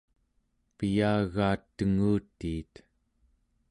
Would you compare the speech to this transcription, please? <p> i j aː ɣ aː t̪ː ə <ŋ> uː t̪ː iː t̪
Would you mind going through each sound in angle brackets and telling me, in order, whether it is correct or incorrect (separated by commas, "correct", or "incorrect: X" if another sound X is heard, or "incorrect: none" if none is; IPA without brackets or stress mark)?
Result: correct, correct